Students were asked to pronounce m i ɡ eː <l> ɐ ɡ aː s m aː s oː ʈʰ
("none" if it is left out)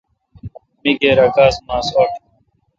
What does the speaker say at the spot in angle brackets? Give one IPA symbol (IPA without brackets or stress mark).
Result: ɾ